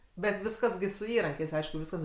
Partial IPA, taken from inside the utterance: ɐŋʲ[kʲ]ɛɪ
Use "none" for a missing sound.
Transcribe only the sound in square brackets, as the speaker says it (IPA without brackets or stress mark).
kʲ